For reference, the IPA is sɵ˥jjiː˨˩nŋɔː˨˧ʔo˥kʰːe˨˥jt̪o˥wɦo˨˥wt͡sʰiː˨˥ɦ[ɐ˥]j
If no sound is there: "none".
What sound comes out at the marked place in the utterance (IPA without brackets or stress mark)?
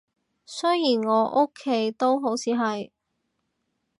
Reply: ɐ˨